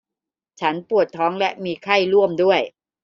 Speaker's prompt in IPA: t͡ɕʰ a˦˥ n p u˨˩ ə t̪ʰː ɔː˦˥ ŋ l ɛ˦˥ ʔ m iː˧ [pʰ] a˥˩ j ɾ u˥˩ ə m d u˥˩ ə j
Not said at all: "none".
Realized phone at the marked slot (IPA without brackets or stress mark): kʰ